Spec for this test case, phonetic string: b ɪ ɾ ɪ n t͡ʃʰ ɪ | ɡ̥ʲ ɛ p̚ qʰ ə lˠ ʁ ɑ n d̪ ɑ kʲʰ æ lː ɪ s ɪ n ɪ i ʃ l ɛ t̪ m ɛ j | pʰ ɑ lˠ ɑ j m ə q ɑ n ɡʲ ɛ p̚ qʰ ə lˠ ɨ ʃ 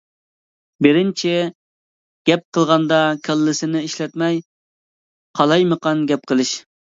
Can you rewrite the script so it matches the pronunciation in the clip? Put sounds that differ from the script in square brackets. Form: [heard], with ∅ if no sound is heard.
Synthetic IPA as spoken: b ɪ ɾ ɪ n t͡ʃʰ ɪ | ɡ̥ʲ ɛ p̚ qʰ ə lˠ ʁ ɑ n d̪ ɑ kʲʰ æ lː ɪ s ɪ n ɪ i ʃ l ɛ t̪ m ɛ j | [qʰ] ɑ lˠ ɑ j m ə q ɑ n ɡʲ ɛ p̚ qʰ ə lˠ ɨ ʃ